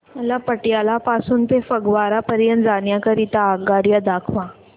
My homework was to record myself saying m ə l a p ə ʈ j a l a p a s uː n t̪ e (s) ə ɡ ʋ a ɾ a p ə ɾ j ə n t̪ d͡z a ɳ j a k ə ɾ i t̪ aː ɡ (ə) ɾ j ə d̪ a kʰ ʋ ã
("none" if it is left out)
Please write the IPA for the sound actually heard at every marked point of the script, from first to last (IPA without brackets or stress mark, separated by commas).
f, a